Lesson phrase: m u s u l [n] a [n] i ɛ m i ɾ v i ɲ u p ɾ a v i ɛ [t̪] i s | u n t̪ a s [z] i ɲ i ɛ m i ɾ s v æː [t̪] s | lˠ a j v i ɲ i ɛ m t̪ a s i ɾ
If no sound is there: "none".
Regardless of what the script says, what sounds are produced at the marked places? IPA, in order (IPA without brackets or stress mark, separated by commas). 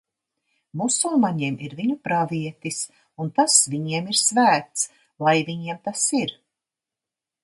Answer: m, ɲ, t̪, v, t̪